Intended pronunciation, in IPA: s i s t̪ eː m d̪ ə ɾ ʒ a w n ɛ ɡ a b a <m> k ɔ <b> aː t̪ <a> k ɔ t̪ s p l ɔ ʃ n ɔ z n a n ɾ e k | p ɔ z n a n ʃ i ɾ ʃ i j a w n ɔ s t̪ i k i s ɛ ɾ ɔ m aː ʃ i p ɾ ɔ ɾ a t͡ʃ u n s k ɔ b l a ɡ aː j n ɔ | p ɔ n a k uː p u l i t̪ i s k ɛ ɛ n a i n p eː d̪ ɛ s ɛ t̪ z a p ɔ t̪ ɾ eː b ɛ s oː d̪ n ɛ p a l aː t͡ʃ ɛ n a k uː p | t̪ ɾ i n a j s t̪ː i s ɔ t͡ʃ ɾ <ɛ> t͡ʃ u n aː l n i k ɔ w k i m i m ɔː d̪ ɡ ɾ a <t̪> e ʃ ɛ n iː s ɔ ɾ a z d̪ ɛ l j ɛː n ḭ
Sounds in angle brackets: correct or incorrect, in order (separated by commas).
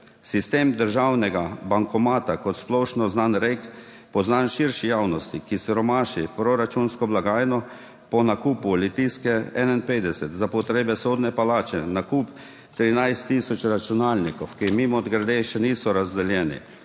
incorrect, incorrect, correct, incorrect, incorrect